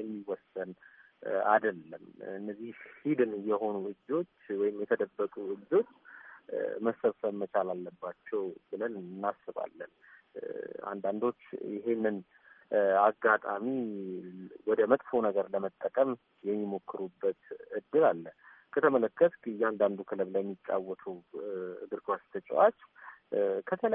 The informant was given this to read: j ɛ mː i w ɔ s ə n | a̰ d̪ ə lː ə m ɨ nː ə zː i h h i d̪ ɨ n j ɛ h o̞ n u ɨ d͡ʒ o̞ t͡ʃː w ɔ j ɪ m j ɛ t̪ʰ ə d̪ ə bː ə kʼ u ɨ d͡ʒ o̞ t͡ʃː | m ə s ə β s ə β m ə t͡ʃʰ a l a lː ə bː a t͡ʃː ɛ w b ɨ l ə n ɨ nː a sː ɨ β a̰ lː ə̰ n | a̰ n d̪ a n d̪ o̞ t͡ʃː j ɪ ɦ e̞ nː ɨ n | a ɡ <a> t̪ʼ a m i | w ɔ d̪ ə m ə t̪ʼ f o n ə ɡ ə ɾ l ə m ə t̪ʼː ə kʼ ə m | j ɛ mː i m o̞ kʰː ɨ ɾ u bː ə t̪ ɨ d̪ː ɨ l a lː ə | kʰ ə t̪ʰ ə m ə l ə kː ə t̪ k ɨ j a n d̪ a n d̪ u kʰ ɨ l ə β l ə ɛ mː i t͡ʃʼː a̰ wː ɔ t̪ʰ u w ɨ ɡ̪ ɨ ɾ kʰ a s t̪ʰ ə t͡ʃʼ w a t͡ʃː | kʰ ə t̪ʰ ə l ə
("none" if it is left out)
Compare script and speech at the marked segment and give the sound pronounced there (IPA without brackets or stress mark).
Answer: a